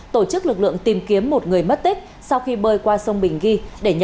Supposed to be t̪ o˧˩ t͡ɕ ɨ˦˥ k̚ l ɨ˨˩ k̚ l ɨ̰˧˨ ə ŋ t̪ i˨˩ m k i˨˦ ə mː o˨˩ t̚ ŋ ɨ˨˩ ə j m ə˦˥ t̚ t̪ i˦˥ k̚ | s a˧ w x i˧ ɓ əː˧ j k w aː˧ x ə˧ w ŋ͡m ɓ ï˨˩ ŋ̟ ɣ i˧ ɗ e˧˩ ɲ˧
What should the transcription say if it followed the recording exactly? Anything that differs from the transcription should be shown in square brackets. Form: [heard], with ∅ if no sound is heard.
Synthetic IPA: t̪ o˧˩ t͡ɕ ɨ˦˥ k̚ l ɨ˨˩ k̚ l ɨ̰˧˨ ə ŋ t̪ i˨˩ m k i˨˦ ə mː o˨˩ t̚ ŋ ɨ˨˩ ə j m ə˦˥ t̚ t̪ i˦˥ k̚ | s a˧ w x i˧ ɓ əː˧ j k w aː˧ [s] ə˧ w ŋ͡m ɓ ï˨˩ ŋ̟ ɣ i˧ ɗ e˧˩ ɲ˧

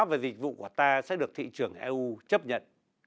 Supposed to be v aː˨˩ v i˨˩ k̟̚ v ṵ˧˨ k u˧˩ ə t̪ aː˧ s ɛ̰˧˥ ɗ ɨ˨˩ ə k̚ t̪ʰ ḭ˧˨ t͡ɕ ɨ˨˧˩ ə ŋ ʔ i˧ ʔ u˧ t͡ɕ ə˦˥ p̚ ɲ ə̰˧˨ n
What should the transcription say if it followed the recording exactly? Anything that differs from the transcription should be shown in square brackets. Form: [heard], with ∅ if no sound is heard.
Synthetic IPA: v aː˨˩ [z] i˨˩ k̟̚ v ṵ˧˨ k u˧˩ ə t̪ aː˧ s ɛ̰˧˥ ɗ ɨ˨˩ ə k̚ t̪ʰ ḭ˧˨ t͡ɕ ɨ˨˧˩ ə ŋ ʔ [ɛ˧] ʔ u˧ t͡ɕ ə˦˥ p̚ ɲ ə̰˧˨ n

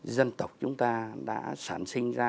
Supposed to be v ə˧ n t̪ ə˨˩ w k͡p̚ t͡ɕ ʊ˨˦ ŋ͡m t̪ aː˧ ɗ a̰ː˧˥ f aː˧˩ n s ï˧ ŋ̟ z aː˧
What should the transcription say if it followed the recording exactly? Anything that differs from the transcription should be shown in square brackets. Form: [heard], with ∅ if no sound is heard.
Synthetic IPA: [z] ə˧ n t̪ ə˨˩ w k͡p̚ t͡ɕ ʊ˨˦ ŋ͡m t̪ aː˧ ɗ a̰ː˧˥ [s] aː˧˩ n s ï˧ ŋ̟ z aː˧

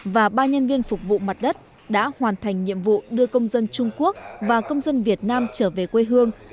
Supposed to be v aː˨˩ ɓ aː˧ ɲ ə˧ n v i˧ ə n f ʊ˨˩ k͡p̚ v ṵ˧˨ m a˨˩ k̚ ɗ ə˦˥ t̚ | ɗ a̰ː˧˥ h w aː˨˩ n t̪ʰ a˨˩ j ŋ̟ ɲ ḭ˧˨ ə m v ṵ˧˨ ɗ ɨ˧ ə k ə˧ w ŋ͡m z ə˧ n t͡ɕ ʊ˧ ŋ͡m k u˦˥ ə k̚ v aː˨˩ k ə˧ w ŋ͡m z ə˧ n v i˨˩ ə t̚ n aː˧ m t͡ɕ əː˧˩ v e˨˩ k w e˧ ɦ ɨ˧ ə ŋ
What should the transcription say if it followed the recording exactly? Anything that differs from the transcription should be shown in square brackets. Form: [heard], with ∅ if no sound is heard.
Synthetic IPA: v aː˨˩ ɓ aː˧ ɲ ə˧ n v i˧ ə n f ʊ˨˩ k͡p̚ v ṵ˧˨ m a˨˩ [t̚] ɗ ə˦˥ t̚ | ɗ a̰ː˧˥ h w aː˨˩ n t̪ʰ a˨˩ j ŋ̟ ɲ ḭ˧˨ ə m v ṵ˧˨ ɗ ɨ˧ ə k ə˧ w ŋ͡m z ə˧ n t͡ɕ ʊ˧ ŋ͡m k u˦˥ ə k̚ v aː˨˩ k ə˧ w ŋ͡m z ə˧ n v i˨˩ ə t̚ n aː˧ m t͡ɕ əː˧˩ v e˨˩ k w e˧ ɦ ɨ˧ ə ŋ

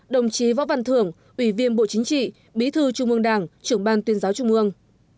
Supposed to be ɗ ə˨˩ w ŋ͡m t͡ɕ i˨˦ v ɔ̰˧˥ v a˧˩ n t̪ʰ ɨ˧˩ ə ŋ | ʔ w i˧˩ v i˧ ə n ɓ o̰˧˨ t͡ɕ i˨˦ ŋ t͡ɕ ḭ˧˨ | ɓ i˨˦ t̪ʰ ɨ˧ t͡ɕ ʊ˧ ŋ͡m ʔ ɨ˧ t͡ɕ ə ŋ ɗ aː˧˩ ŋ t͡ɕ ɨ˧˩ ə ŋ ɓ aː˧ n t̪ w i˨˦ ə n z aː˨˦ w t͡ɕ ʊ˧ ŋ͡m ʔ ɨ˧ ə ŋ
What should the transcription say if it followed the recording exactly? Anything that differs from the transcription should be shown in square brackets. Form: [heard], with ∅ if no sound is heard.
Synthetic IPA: ɗ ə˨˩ w ŋ͡m t͡ɕ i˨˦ v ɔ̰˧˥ v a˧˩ n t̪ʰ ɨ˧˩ ə ŋ | ʔ w i˧˩ v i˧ ə n ɓ o̰˧˨ t͡ɕ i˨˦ ŋ t͡ɕ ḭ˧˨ | ɓ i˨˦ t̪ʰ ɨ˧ t͡ɕ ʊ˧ ŋ͡m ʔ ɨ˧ [∅] ə ŋ ɗ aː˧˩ ŋ t͡ɕ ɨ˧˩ ə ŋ ɓ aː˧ n t̪ w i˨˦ ə n z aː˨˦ w t͡ɕ ʊ˧ ŋ͡m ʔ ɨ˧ ə ŋ

